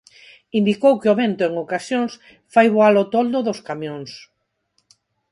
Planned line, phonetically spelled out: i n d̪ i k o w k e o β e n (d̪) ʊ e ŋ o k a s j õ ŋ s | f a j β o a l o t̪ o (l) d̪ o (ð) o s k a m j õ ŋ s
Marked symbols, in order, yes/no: no, yes, yes

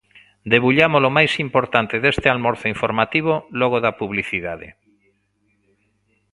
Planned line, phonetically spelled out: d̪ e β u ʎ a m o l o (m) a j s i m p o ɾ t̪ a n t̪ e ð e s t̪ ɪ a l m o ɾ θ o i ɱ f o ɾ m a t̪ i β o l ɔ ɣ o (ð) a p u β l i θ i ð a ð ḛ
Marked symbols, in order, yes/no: yes, yes

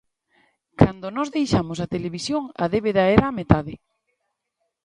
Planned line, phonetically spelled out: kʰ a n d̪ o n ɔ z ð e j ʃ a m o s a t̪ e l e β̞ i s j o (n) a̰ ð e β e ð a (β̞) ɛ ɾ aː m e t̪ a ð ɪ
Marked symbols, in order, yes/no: no, no

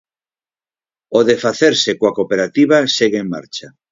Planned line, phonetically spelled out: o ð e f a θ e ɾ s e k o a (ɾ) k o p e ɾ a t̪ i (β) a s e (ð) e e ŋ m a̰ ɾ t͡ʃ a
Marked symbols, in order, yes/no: no, yes, no

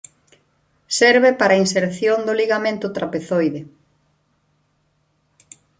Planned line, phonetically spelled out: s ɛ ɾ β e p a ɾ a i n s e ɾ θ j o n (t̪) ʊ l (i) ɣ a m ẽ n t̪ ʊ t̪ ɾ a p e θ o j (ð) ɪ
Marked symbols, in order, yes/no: no, yes, yes

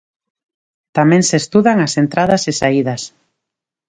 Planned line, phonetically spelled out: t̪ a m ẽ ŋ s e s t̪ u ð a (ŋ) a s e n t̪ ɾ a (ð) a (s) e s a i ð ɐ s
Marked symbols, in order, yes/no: yes, yes, yes

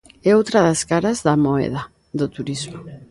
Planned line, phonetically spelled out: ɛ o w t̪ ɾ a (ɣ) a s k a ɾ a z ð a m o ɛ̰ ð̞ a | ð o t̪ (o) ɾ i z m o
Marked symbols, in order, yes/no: no, no

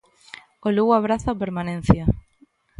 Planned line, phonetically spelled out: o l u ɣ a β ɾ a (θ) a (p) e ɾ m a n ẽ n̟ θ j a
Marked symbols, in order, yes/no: yes, yes

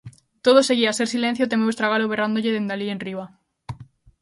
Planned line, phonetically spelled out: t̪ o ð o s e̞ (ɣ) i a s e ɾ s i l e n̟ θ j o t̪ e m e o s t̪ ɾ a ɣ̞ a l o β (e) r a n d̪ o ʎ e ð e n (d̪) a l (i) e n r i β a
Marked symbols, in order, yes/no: yes, yes, yes, yes

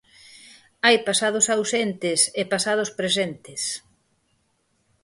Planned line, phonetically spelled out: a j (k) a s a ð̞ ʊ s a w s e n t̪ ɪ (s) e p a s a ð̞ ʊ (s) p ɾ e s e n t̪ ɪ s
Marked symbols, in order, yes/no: no, yes, yes

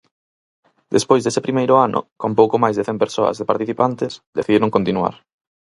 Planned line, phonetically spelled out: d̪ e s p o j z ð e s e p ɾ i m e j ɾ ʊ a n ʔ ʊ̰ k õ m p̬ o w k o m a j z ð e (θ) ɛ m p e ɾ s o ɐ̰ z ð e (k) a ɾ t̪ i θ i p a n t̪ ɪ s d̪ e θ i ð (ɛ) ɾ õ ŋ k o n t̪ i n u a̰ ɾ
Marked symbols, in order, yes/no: yes, no, no

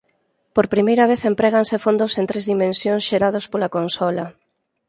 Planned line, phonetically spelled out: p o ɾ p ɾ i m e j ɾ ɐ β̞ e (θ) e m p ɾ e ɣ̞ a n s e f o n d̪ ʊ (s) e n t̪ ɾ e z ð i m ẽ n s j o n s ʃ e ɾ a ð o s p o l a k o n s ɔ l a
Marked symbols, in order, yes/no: yes, yes

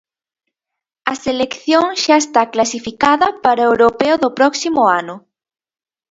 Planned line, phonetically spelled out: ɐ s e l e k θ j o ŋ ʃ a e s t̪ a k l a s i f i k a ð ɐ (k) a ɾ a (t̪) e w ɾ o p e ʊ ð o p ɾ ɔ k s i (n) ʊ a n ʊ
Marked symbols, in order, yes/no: no, no, no

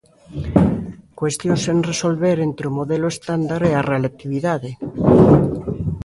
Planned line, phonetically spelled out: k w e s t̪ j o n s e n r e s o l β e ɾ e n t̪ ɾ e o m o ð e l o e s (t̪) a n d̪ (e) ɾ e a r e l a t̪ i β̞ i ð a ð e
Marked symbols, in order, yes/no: yes, no

